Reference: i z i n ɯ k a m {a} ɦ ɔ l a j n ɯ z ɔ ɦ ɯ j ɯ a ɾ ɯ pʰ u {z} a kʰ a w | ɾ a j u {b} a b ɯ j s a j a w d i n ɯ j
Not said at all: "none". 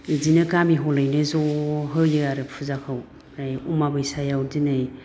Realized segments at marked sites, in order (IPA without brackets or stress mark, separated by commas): i, z, m